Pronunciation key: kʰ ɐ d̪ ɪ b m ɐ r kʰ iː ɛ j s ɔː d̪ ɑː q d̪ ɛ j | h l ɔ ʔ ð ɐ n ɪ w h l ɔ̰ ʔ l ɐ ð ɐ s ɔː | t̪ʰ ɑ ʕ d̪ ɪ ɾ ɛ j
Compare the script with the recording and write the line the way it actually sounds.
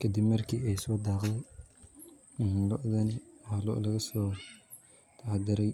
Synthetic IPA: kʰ ɐ d̪ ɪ b m ɐ r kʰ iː ɛ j s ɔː d̪ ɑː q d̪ ɛ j | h l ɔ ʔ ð ɐ n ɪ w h l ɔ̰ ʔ l ɐ ɣ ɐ s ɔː | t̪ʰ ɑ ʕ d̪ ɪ ɾ ɛ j